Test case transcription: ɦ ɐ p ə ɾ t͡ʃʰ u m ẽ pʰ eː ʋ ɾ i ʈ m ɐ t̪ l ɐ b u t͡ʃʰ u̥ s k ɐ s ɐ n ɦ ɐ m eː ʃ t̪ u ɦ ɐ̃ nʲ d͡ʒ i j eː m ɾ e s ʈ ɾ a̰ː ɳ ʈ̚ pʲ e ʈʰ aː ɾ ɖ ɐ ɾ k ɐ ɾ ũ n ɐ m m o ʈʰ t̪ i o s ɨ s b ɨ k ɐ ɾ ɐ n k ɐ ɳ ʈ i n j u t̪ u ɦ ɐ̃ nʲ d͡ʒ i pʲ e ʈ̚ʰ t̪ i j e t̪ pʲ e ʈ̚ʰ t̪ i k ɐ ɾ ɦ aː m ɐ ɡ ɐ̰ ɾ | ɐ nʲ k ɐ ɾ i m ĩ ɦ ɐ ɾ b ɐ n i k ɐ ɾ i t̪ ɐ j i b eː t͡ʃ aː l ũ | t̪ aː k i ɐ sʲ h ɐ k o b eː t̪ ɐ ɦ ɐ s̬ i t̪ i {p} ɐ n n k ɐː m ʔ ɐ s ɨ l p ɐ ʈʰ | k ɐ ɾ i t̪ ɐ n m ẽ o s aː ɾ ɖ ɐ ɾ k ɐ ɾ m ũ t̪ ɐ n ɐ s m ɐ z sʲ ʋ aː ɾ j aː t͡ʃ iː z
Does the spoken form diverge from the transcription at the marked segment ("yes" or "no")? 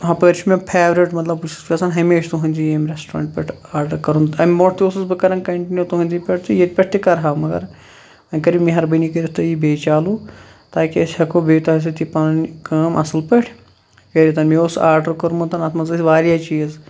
no